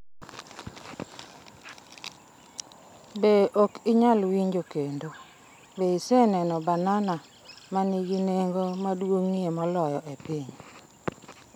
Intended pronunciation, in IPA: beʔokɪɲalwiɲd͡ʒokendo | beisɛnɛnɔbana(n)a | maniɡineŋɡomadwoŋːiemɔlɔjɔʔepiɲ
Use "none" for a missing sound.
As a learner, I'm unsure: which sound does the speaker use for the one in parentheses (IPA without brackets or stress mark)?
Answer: n